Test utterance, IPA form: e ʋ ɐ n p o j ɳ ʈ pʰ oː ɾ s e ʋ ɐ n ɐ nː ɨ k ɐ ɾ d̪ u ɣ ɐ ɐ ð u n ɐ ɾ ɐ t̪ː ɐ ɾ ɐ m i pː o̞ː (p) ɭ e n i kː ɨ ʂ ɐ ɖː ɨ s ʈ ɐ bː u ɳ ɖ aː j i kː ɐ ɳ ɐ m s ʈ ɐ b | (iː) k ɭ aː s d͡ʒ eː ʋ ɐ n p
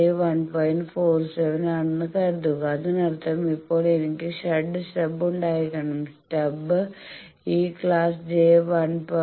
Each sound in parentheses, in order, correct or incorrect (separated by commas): incorrect, correct